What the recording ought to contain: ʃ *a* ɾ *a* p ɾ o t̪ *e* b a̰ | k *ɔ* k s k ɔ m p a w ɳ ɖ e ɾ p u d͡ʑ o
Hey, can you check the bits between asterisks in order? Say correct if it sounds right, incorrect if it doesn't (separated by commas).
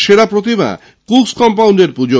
incorrect, correct, incorrect, incorrect